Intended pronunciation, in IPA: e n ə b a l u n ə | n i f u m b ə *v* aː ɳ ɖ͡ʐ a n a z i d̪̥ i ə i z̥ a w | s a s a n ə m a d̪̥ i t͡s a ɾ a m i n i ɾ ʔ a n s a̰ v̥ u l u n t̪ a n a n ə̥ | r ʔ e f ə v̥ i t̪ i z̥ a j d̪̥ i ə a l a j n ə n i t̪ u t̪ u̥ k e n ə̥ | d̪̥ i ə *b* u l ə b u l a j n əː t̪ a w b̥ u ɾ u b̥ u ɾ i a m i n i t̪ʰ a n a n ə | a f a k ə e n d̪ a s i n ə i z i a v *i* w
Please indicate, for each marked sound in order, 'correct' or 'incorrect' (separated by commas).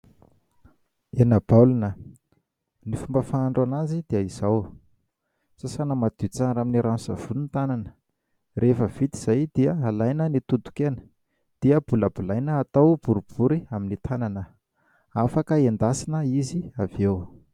incorrect, correct, incorrect